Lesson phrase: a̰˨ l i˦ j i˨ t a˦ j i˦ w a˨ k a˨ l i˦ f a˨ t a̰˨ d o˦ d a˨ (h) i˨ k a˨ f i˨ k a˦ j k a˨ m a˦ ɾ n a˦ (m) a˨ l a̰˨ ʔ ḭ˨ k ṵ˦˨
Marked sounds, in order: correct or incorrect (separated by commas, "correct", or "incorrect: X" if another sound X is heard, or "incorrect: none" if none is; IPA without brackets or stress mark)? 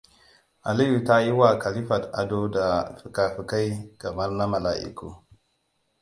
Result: incorrect: f, correct